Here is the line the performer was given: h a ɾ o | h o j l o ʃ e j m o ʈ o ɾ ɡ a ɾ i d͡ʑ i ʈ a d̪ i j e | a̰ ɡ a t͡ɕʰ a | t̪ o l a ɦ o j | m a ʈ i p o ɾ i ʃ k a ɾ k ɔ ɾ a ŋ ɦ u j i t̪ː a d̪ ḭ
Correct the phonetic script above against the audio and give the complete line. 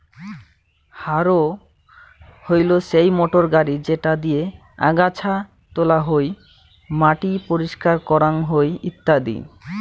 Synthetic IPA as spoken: h a ɾ o | h o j l o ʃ e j m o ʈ o ɾ ɡ a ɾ i d͡ʑ e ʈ a d̪ i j e | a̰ ɡ a t͡ɕʰ a | t̪ o l a ɦ o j | m a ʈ i p o ɾ i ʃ k a ɾ k ɔ ɾ a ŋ ɦ o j i t̪ː a d̪ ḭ